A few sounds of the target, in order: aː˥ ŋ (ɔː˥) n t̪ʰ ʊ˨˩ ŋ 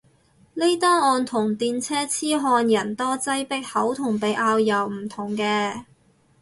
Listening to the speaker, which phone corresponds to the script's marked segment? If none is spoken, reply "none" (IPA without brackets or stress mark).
ɔː˧